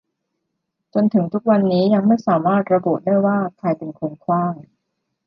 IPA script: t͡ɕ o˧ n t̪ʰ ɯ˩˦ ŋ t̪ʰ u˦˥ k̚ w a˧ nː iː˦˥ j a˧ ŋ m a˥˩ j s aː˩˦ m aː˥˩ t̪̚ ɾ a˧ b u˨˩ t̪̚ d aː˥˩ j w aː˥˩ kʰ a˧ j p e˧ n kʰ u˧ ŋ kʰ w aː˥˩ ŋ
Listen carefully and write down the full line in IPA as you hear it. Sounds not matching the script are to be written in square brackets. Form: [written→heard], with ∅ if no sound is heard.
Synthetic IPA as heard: t͡ɕ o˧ n t̪ʰ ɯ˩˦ ŋ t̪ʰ u˦˥ k̚ w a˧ nː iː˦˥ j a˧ ŋ m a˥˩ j s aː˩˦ m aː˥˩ t̪̚ ɾ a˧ b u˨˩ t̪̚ d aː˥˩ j w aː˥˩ kʰ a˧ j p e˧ n kʰ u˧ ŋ kʰ w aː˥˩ ŋ